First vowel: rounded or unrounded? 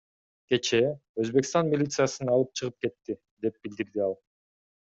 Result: unrounded